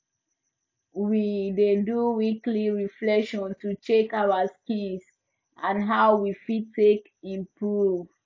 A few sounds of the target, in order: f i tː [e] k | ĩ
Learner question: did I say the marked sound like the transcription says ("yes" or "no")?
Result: yes